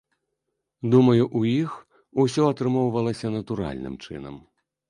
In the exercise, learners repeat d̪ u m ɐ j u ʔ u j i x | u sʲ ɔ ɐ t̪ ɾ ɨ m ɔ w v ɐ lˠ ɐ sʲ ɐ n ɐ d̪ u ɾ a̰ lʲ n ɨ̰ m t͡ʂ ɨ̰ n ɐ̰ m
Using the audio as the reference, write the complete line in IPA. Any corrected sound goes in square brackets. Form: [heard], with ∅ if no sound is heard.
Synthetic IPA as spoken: d̪ u m ɐ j u ʔ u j i x | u sʲ ɔ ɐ t̪ ɾ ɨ m ɔ w v ɐ lˠ ɐ sʲ ɐ n ɐ [t̪] u ɾ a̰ lʲ n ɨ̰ m t͡ʂ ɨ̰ n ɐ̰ m